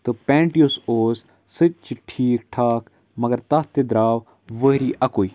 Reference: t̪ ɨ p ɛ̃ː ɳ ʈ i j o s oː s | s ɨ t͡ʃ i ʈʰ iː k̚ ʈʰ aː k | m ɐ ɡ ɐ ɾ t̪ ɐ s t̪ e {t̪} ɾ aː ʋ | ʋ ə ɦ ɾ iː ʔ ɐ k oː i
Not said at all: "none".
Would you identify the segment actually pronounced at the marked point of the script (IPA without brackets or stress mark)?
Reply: d̪